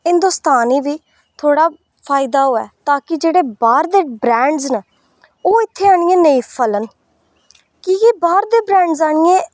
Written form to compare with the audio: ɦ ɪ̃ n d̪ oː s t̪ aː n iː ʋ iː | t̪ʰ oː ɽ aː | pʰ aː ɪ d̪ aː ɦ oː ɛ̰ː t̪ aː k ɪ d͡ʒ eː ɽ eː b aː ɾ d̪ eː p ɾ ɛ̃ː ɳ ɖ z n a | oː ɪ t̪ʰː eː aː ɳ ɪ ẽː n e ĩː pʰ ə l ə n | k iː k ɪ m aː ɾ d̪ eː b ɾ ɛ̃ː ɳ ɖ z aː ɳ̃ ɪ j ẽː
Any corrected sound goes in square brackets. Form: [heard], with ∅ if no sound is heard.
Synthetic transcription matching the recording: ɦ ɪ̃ n d̪ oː s t̪ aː n iː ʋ iː | t̪ʰ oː ɽ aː | pʰ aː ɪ d̪ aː ɦ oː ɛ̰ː t̪ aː k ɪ d͡ʒ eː ɽ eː b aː ɾ d̪ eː [b] ɾ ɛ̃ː ɳ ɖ z n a | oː ɪ t̪ʰː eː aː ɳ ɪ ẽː n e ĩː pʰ ə l ə n | k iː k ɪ [b] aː ɾ d̪ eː b ɾ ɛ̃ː ɳ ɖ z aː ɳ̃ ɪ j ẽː